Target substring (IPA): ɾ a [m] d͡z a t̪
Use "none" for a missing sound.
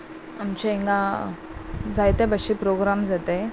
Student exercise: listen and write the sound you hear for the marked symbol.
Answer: m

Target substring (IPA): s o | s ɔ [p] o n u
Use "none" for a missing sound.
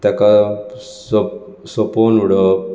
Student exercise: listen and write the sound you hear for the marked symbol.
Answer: p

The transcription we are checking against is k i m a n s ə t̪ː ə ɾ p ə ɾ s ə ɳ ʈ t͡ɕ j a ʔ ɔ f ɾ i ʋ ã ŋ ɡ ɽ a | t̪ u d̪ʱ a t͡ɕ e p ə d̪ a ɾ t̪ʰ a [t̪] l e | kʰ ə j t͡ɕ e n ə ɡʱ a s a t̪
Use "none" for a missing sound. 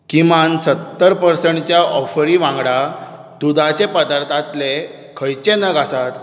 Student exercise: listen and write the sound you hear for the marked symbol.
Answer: t̪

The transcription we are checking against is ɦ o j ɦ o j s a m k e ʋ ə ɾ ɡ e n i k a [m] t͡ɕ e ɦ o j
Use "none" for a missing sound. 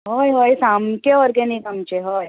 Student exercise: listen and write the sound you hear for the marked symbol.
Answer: m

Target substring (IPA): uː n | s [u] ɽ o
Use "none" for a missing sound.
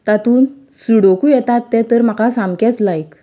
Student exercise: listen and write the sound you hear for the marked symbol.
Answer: u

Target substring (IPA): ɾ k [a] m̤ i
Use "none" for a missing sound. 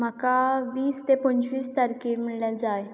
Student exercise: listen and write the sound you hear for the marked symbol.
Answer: i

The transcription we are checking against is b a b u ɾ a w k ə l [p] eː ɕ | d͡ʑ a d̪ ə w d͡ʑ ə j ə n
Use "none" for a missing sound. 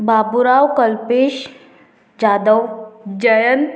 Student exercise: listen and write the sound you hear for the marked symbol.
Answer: p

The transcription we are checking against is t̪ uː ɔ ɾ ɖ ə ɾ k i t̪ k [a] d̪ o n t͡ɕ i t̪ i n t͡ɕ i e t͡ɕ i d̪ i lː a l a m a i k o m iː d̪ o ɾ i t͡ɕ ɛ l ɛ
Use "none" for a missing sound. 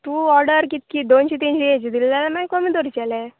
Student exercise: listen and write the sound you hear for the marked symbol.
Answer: i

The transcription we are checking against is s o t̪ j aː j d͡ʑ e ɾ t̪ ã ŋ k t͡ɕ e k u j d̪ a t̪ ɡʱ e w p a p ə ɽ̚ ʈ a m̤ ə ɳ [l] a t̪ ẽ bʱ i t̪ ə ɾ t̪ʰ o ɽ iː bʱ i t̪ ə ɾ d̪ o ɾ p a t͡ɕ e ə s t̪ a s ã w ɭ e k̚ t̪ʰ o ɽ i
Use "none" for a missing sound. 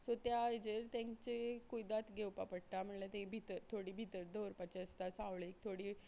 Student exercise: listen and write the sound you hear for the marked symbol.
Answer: l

